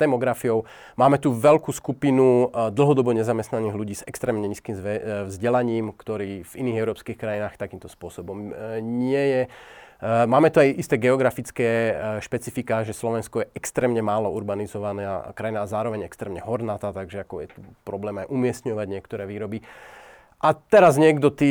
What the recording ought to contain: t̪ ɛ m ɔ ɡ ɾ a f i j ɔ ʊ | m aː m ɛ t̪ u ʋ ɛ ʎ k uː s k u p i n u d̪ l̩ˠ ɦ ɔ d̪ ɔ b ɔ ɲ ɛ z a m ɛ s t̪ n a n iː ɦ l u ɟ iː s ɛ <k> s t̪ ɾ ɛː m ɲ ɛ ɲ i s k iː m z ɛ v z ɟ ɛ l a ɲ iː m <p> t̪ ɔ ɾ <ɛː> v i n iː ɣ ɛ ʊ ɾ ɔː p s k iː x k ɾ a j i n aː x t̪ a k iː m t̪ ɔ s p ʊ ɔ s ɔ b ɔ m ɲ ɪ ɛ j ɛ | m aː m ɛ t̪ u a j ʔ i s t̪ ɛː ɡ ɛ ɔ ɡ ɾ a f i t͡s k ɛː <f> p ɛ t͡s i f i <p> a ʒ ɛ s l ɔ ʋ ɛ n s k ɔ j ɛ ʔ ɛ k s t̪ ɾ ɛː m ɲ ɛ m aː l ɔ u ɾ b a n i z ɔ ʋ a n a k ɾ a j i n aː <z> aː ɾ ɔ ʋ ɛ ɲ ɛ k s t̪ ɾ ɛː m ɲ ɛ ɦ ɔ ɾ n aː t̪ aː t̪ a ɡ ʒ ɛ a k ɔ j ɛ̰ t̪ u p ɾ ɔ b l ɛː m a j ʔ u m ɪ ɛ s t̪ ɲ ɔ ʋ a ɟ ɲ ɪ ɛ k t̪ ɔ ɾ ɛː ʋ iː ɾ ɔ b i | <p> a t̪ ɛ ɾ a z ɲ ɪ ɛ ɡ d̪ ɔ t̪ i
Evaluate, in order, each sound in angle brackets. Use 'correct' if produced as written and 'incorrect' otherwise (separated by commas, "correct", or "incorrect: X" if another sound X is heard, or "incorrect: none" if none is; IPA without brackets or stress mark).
correct, incorrect: k, incorrect: iː, incorrect: ʃ, incorrect: k, correct, incorrect: ʔ